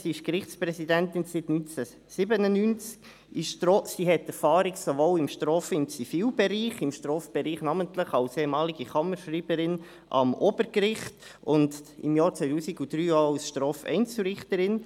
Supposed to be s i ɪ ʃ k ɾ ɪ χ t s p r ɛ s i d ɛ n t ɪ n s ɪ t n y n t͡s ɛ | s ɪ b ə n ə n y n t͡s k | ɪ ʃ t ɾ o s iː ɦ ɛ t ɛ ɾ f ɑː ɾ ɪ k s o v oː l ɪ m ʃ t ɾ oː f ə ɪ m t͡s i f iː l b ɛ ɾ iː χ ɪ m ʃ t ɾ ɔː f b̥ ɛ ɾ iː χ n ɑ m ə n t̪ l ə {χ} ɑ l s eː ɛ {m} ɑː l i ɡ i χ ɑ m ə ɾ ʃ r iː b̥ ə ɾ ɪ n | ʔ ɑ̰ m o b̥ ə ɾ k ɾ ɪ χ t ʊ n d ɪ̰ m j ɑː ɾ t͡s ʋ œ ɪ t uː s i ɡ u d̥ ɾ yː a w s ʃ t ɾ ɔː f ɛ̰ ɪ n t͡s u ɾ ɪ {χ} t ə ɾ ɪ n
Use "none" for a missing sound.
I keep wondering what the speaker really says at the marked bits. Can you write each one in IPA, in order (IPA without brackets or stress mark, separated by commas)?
χ, m, χ